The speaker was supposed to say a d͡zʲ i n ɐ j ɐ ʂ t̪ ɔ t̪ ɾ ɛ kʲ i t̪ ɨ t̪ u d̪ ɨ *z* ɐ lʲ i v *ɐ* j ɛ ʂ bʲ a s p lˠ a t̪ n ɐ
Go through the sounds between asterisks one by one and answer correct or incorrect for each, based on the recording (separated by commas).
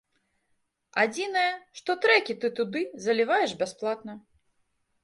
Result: correct, incorrect